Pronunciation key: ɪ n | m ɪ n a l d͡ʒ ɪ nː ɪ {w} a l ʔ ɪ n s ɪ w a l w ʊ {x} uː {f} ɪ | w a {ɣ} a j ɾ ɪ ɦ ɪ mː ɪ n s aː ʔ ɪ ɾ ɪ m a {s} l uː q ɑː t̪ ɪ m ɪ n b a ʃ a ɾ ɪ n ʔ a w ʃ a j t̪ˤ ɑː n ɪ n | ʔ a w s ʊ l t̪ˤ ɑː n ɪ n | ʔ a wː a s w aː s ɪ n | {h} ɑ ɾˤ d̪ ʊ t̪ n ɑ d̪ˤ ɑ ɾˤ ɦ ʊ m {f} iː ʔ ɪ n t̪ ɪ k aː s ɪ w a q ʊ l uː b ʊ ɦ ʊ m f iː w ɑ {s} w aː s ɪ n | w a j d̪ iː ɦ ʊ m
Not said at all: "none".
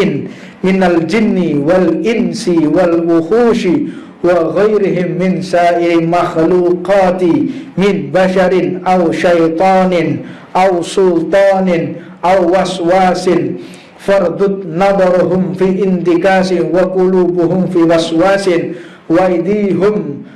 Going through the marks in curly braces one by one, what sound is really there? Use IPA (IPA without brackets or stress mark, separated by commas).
w, x, ʃ, ɣ, x, f, f, s